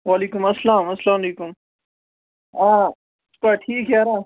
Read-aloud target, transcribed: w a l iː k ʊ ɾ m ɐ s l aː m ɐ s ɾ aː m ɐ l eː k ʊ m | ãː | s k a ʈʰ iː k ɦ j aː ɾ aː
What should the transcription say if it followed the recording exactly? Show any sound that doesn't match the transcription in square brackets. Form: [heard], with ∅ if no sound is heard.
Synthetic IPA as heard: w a l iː k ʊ [∅] m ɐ s l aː m ɐ s [l] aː m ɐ l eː k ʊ m | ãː | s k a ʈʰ iː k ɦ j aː ɾ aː

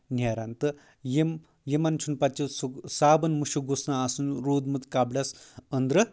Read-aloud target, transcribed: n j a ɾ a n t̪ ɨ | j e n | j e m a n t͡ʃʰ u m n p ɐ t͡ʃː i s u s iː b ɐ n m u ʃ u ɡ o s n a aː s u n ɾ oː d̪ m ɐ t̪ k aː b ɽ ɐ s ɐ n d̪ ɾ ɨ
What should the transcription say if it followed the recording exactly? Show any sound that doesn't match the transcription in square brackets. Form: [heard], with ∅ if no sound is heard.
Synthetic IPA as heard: n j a ɾ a n t̪ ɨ | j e [m] | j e m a n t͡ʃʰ u [∅] n p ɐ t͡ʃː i s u s [aː] b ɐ n m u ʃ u ɡ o s n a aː s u n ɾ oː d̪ m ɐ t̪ k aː b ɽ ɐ s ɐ n d̪ ɾ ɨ

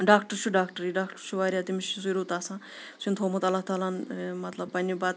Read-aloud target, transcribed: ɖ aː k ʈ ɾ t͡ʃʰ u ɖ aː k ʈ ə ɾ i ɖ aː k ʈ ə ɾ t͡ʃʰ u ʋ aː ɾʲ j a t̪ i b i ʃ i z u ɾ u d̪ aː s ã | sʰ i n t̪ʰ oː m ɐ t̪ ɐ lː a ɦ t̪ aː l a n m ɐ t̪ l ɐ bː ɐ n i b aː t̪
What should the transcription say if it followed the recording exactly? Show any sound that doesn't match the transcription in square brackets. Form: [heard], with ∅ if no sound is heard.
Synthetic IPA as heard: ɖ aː k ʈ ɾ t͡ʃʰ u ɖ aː k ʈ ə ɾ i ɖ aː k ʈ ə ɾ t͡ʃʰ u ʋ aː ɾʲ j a t̪ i [m] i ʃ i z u ɾ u [t̪] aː s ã | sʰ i n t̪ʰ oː m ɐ t̪ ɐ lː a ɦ t̪ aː l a n m ɐ t̪ l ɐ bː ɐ n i b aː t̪

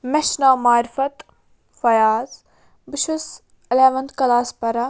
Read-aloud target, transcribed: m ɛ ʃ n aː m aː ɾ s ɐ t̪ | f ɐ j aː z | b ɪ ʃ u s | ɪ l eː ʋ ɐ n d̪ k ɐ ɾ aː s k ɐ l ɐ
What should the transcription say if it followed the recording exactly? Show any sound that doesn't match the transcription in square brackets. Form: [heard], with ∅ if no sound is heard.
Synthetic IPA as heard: m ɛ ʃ n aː m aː ɾ [f] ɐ t̪ | f ɐ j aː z | b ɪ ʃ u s | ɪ l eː ʋ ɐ n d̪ k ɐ [l] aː s [p] ɐ [ɾ] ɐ

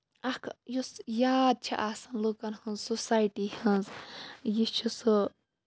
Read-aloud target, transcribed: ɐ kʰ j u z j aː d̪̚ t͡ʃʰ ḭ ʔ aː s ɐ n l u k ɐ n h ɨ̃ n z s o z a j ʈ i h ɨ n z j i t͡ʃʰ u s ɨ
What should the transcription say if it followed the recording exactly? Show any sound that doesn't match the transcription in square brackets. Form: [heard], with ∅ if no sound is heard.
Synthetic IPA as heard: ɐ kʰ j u [s] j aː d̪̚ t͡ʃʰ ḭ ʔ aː s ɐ n l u k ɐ n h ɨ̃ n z s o [s] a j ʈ i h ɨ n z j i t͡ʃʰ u s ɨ

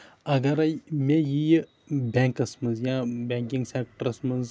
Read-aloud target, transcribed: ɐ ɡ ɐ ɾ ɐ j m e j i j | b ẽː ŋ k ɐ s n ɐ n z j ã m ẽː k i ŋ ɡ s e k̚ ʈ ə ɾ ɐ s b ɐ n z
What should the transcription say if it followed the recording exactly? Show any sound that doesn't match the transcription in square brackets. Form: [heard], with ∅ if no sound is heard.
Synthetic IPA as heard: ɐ ɡ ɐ ɾ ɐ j m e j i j | b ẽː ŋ k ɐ s [m] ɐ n z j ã [b] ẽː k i ŋ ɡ s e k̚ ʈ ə ɾ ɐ s [m] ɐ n z

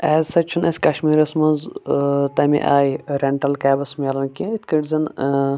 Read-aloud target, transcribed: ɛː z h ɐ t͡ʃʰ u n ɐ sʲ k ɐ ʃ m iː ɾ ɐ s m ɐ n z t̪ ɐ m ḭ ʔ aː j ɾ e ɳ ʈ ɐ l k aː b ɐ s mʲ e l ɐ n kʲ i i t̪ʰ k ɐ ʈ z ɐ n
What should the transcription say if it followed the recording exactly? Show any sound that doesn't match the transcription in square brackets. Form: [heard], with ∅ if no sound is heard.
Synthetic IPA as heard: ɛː z [s] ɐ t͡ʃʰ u n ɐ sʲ k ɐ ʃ m iː ɾ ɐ s m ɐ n z t̪ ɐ m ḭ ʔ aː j ɾ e ɳ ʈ ɐ l k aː b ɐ s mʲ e l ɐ n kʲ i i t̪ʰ k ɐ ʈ z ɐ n

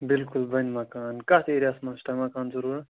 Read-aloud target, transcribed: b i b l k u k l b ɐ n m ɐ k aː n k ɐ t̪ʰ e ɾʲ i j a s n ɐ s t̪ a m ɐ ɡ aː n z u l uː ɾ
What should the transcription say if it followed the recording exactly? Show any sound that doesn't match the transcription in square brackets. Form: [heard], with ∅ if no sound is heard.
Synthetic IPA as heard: b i [∅] l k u [∅] l b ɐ n m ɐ k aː n k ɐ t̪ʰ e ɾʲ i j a s [m] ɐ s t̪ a m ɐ [k] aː n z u [ɾ] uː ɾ

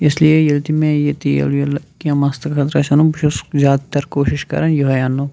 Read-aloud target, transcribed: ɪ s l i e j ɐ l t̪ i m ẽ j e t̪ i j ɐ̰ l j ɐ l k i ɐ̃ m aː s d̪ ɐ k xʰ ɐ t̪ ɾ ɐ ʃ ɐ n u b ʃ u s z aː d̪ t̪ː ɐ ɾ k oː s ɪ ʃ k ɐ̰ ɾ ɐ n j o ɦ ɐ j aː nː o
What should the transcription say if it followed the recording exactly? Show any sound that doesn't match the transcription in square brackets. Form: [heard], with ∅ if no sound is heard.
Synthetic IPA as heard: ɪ s l i e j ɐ l t̪ i m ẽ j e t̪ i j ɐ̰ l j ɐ l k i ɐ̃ m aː s [t̪] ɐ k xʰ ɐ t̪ ɾ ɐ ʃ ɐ n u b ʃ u s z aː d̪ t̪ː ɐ ɾ k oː [ʃ] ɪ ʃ k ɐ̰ ɾ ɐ n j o ɦ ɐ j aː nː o

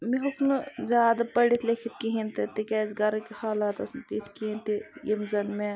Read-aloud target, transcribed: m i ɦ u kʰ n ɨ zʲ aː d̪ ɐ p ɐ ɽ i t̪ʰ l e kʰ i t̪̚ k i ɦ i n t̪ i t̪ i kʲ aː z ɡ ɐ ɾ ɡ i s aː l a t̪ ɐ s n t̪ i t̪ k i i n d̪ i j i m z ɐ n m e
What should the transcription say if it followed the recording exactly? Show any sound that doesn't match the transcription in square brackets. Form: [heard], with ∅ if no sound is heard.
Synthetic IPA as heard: m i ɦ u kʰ n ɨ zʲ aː d̪ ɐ p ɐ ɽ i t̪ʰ l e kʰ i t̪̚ k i ɦ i n t̪ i t̪ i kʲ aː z ɡ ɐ ɾ [k] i [h] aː l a t̪ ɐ s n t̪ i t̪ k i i n [t̪] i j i m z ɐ n m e

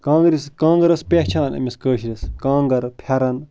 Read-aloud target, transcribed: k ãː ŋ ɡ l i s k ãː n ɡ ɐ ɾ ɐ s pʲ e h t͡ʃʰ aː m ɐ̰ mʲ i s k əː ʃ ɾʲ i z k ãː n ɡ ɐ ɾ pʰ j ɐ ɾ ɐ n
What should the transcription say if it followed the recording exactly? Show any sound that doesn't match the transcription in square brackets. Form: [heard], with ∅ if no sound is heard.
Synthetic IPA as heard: k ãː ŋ ɡ [ɾ] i s k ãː [ŋ] ɡ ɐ ɾ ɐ s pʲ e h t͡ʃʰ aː [n] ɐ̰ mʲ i s k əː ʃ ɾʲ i [s] k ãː [ŋ] ɡ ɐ ɾ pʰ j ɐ ɾ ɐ n

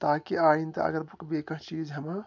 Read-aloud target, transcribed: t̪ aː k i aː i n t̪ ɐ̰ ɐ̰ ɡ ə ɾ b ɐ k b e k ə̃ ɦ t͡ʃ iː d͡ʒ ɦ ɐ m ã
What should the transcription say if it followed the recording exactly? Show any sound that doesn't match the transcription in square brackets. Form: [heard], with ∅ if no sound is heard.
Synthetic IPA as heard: t̪ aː k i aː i n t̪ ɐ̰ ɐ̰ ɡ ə ɾ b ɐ k b e k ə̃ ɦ t͡ʃ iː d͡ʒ ɦ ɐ m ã

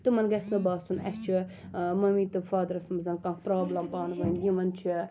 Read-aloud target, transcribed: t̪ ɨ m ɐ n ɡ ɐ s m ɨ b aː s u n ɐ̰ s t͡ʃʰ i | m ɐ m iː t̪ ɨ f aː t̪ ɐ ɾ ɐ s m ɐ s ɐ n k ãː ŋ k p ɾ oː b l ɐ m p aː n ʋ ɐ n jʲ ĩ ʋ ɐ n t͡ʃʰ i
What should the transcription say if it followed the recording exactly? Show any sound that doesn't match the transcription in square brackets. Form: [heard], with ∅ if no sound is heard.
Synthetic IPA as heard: t̪ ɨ m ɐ n ɡ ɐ s [n] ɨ b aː s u n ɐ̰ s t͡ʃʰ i | m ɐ m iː t̪ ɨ f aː [d̪] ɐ ɾ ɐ s m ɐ [z] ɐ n k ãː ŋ k p ɾ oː b l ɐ m p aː n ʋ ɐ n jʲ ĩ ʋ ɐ n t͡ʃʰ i

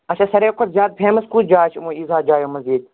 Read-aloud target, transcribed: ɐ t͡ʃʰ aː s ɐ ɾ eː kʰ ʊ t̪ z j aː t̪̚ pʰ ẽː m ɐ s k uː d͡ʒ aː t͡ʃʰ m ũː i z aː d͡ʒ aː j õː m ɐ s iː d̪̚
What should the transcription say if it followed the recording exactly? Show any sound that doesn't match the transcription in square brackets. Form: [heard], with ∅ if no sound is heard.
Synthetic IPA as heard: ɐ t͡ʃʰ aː s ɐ ɾ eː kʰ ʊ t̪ z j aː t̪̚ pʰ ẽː m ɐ s k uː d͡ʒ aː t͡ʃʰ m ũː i z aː d͡ʒ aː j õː m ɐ [z] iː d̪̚

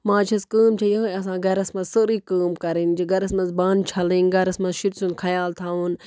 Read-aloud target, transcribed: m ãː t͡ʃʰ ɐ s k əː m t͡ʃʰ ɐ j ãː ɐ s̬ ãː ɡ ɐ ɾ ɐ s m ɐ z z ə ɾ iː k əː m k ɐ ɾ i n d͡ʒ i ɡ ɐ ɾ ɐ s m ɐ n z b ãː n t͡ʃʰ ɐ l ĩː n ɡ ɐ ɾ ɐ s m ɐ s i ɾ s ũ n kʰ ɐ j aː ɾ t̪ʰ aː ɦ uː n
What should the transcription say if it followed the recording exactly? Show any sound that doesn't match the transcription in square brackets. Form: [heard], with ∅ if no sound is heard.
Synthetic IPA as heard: m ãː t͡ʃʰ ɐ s k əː m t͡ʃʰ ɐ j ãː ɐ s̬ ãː ɡ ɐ ɾ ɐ s m ɐ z [s] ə ɾ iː k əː m k ɐ ɾ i n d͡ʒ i ɡ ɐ ɾ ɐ s m ɐ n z b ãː n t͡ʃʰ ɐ l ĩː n ɡ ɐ ɾ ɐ s m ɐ [ʃ] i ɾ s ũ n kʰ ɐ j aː [l] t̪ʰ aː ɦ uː n

